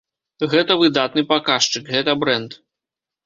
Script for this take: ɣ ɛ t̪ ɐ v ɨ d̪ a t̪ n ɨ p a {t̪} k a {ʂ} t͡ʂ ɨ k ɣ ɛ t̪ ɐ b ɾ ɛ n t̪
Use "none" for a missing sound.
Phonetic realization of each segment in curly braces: none, ʂ

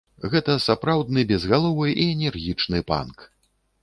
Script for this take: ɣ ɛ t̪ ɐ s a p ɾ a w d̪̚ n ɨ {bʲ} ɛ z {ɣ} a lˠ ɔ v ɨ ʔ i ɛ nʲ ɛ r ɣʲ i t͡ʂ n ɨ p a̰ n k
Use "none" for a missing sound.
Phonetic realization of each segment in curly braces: bʲ, ɣ

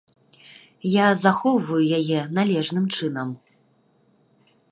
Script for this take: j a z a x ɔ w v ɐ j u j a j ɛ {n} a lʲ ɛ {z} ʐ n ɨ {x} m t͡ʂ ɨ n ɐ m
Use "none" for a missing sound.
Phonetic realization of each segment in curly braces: n, none, none

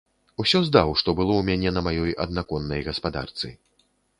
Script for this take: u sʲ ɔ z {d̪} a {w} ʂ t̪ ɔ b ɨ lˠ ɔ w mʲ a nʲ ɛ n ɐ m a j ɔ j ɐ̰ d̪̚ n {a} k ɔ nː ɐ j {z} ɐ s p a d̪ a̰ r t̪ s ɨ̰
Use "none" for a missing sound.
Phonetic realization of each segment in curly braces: d̪, w, a, ɣ

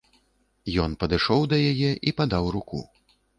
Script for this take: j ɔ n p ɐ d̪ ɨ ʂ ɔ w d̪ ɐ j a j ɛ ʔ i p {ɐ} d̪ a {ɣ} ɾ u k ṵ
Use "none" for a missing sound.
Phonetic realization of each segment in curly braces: a, w

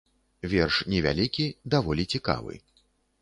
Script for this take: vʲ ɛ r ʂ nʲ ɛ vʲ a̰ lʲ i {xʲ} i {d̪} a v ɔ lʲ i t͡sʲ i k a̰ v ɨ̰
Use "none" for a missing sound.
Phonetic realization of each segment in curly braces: kʲ, d̪

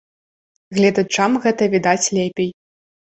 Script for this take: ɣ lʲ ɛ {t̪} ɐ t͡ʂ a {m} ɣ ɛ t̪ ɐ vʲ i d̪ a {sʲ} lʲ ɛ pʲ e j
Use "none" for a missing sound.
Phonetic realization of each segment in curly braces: d̪, m, t͡sʲ

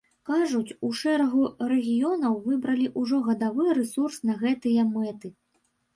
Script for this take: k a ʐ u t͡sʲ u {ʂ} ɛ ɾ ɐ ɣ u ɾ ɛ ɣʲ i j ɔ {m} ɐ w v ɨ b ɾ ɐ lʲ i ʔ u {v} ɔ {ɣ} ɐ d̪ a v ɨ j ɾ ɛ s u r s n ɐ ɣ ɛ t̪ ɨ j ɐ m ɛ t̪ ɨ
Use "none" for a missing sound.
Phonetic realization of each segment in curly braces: ʂ, n, ʐ, ɣ

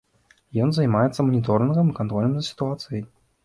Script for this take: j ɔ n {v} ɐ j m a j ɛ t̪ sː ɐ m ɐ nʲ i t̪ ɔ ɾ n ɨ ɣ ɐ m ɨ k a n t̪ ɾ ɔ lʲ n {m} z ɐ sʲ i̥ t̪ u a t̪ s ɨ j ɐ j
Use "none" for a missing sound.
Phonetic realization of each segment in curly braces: z, m

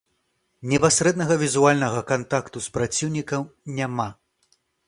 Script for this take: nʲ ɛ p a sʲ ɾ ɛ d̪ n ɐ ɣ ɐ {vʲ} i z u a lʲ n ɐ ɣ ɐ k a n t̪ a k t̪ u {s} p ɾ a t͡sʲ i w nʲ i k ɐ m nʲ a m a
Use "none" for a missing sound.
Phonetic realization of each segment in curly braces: vʲ, s

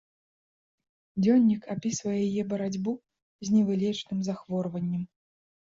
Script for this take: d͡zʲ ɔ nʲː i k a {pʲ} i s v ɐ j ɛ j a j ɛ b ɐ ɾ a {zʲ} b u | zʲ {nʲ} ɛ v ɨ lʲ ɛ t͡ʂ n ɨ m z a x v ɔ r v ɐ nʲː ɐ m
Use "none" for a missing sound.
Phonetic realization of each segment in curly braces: pʲ, d͡zʲ, nʲ

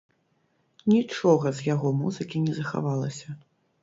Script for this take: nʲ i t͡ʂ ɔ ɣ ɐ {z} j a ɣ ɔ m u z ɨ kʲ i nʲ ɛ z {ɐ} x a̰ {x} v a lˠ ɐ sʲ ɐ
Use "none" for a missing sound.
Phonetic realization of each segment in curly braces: z, ɐ, none

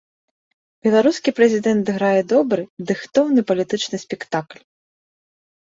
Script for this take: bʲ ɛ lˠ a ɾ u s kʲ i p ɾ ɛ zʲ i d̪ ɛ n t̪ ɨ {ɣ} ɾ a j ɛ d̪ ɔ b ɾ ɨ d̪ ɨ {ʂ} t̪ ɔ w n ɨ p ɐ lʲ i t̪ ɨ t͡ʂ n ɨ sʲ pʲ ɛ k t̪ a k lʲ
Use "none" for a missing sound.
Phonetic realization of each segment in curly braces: ɣ, x

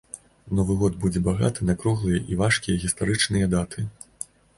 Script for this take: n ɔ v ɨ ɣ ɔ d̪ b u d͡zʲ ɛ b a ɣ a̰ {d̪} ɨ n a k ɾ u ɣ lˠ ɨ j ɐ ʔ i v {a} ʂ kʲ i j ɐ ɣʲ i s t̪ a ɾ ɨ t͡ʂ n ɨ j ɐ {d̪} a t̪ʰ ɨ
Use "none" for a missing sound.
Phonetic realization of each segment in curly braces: t̪, a, d̪

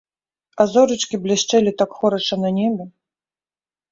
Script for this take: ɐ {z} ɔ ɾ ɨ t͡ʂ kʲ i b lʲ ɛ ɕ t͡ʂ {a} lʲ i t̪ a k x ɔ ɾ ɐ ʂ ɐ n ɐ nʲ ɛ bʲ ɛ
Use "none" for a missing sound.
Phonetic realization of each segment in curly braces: z, ɛ

